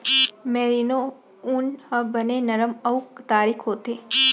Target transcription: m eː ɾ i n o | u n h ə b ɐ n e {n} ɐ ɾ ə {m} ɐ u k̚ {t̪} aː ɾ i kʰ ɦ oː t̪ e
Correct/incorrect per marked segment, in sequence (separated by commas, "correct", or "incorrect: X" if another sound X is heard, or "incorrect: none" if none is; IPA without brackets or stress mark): correct, correct, correct